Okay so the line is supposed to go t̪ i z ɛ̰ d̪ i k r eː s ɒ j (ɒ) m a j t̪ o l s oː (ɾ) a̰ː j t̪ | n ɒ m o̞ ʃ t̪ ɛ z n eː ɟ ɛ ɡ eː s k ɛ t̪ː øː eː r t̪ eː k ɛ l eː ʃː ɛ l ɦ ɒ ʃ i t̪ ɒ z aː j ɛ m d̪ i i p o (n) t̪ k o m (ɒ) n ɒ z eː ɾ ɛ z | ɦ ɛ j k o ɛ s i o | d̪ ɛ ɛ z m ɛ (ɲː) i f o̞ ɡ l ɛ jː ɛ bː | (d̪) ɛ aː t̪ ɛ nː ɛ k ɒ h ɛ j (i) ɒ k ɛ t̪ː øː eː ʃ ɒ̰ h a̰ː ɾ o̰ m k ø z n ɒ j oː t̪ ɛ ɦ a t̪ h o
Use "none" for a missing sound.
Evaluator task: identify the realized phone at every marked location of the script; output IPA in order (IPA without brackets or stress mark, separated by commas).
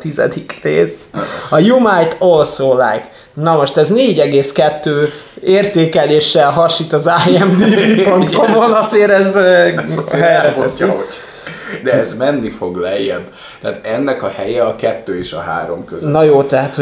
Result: u, l, n, o, nː, t̪, ɛ